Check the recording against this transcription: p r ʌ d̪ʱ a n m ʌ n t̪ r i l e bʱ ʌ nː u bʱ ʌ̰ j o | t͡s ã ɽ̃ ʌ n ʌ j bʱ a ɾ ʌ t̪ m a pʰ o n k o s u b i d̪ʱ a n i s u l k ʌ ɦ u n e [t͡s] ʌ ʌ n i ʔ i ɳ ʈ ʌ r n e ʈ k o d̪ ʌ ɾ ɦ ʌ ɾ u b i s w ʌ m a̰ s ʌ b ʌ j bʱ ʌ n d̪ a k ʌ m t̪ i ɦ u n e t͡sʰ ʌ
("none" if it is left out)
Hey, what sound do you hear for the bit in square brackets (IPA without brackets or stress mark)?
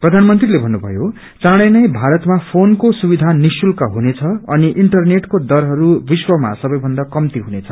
t͡sʰ